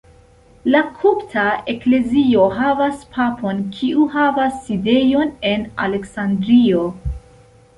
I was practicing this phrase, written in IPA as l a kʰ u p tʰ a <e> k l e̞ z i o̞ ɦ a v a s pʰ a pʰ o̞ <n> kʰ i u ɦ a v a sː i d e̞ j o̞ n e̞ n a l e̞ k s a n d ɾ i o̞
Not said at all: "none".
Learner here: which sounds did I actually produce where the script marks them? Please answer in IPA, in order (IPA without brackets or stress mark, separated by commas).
e, n